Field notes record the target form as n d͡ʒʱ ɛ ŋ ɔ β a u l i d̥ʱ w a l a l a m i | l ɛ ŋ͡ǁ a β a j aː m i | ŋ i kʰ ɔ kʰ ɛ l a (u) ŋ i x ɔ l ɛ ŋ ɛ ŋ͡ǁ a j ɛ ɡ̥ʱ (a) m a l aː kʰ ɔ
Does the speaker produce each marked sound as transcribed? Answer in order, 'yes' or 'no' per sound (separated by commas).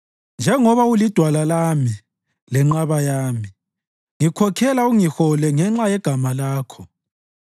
yes, yes